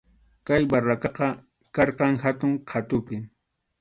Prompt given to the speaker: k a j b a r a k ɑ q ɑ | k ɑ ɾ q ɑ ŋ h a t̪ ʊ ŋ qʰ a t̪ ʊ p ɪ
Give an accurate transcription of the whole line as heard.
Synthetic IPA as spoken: k a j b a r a k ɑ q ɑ | k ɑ ɾ q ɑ ŋ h a t̪ ʊ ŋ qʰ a t̪ ʊ p ɪ